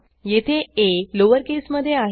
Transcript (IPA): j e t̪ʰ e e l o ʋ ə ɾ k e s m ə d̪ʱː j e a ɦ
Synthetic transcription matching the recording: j e t̪ʰ e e l o ʋ ə ɾ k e s m ə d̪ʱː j e a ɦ

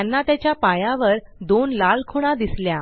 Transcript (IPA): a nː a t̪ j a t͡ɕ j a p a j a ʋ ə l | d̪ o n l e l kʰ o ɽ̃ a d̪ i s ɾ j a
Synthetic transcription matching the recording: a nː a t̪ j a t͡ɕ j a p a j a ʋ ə ɾ | d̪ o n l a l kʰ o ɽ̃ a d̪ i s l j a

